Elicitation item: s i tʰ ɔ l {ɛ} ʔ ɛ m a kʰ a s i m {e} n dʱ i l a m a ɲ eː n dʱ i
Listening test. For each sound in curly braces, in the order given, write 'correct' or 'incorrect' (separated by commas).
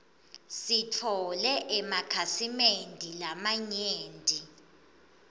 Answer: correct, correct